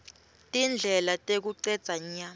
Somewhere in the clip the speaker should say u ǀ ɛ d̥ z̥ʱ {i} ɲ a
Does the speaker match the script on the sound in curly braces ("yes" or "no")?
no